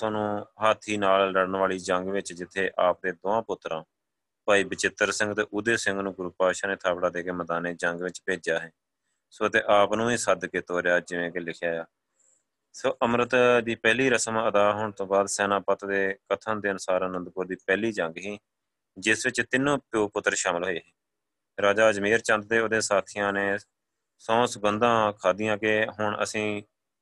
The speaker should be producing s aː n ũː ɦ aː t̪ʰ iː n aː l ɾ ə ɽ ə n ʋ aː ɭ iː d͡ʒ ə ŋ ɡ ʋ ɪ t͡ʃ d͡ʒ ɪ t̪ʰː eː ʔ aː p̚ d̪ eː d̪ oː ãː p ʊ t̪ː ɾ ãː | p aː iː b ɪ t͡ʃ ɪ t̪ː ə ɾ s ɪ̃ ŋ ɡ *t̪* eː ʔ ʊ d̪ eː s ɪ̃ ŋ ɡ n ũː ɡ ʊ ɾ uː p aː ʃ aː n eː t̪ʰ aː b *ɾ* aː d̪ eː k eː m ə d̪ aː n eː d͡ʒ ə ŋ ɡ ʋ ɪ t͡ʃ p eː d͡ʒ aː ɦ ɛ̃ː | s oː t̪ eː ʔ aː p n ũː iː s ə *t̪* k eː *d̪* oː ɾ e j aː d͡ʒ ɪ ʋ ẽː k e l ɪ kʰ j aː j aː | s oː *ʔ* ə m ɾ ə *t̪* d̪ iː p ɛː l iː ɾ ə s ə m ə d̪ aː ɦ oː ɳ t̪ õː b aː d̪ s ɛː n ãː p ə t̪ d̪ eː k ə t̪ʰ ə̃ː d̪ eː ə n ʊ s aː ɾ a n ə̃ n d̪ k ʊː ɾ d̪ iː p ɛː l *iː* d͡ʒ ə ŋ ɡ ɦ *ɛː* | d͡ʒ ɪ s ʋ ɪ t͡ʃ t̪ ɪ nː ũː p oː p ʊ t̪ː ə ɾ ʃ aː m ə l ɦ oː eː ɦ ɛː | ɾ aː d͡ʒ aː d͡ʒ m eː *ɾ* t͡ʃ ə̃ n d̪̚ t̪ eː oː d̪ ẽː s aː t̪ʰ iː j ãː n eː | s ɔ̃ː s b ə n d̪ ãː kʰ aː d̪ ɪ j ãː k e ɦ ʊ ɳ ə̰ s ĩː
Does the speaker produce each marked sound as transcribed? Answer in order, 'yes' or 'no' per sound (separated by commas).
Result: yes, no, no, no, yes, yes, yes, no, yes